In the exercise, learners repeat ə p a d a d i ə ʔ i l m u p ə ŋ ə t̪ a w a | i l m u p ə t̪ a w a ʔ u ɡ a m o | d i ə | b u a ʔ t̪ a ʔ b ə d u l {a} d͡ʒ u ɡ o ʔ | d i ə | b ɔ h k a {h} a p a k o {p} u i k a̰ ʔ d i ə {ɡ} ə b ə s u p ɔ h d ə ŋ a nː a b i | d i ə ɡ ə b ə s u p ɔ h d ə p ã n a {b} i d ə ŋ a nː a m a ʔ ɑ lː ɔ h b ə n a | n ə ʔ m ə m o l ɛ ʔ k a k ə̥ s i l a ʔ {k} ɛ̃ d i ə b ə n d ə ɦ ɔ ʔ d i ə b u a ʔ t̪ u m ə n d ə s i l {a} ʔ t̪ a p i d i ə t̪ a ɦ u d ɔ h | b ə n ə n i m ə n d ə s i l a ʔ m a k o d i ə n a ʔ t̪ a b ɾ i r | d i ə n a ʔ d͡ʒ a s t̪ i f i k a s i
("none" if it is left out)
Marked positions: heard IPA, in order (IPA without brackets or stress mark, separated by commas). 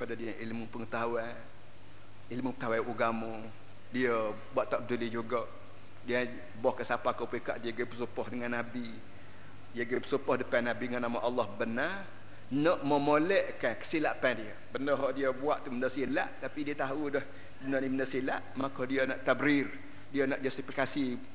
i, s, p, ɡ, b, p, a